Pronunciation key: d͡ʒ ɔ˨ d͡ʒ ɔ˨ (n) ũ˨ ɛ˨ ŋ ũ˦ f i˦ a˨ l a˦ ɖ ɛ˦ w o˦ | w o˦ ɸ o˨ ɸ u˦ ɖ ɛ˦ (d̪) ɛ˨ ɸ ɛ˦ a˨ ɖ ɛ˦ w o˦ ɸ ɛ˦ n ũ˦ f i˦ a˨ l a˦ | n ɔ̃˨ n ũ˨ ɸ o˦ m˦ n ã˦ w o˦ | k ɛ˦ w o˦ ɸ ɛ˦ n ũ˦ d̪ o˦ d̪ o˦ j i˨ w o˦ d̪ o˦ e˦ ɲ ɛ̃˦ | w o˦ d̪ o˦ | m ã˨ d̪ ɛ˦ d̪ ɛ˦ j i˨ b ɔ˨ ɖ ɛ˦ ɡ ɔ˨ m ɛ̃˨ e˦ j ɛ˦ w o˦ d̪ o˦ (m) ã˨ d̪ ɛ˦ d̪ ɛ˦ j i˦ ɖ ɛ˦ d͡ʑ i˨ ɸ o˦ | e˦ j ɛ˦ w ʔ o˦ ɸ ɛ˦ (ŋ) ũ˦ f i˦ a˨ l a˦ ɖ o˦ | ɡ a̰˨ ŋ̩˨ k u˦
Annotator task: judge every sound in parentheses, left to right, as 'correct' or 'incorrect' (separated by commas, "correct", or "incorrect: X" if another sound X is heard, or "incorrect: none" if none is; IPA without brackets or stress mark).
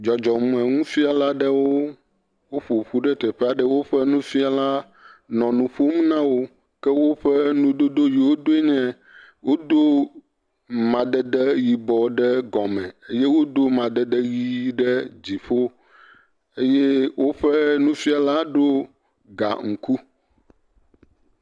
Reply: incorrect: m, incorrect: t̪, correct, incorrect: n